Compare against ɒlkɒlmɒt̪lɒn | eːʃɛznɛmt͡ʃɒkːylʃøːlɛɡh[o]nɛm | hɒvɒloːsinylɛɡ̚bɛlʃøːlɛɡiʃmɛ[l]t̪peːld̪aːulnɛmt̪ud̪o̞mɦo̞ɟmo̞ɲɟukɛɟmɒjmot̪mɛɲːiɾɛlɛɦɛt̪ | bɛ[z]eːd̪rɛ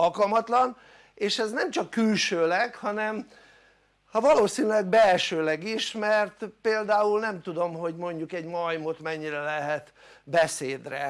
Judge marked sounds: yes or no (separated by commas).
no, no, no